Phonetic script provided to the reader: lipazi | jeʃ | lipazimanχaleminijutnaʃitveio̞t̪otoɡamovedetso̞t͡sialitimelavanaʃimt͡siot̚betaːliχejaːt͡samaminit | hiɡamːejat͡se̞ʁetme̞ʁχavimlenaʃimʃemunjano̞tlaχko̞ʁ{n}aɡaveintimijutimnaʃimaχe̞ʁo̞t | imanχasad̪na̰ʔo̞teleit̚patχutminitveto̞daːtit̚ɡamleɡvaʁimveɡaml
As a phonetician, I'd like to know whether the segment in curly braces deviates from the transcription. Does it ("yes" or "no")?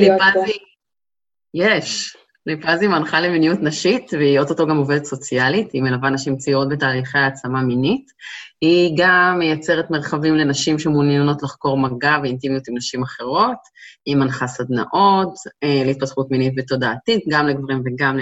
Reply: yes